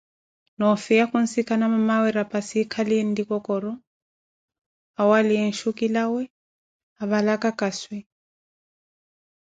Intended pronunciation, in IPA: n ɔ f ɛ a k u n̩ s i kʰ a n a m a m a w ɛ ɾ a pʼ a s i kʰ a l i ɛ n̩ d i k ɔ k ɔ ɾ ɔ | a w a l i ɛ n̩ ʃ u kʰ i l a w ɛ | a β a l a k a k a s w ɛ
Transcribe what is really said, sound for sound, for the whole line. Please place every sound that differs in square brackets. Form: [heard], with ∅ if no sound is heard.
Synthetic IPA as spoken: n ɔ f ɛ a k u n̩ s i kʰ a n a m a m a w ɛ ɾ a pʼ a s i kʰ a l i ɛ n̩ d i k ɔ k ɔ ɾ ɔ | a w a l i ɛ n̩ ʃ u [k] i l a w ɛ | a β a l a k a k a s w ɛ